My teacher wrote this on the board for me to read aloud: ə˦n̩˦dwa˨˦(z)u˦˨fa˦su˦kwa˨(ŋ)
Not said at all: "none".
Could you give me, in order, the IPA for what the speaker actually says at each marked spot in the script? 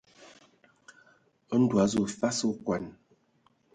z, n

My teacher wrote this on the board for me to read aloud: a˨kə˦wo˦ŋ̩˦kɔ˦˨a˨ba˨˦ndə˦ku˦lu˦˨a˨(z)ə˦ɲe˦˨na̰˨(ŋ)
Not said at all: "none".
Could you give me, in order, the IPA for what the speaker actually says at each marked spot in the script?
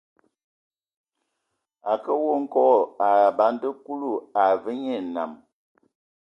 v, m

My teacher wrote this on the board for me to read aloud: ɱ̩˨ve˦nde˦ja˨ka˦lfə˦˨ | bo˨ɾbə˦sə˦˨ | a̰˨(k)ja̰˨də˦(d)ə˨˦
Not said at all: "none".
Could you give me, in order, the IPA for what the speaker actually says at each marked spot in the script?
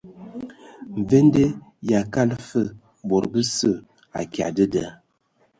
k, d

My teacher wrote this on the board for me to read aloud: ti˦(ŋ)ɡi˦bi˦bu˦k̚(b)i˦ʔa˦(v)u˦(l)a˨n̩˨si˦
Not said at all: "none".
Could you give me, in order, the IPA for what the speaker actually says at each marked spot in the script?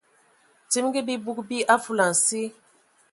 m, b, f, l

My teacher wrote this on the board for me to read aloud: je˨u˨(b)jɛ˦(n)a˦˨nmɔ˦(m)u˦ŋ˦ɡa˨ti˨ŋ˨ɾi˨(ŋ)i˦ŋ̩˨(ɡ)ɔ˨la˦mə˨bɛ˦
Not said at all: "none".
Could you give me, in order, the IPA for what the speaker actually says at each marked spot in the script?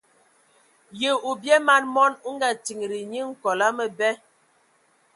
b, m, n, ɲ, k

